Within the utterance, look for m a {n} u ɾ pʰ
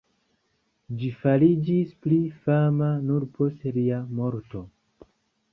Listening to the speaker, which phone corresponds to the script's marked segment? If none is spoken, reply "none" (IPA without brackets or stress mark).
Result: n